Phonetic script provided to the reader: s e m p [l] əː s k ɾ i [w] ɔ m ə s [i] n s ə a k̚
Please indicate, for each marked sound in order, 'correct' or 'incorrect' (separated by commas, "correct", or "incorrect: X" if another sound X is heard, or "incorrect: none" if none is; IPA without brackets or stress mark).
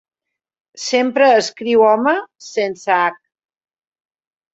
incorrect: ɾ, correct, incorrect: e